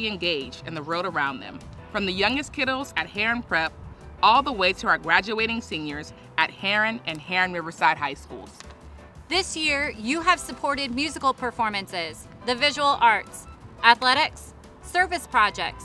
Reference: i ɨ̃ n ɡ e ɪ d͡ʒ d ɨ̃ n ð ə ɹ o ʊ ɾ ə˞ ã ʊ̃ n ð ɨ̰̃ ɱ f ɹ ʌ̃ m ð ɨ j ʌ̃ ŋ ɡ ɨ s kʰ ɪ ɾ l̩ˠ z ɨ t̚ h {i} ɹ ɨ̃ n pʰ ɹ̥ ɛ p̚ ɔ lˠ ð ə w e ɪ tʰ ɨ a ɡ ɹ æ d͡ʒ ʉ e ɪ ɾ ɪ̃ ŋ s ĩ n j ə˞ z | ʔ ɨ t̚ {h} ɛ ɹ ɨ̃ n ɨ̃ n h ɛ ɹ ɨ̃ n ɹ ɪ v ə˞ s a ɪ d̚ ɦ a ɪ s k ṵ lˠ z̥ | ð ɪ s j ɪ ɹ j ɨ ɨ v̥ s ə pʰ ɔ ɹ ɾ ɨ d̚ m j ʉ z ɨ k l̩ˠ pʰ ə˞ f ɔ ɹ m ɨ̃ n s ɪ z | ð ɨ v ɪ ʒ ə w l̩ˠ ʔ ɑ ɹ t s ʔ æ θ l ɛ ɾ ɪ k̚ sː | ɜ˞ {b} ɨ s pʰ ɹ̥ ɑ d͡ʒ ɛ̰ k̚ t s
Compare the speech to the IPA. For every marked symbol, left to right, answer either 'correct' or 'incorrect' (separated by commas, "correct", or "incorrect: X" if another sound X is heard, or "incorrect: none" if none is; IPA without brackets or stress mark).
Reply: incorrect: ɛ, correct, incorrect: v